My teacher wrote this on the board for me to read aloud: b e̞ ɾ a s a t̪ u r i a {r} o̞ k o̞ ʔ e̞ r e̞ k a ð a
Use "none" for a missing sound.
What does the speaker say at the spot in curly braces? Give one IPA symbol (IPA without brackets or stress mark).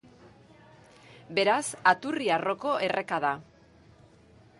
r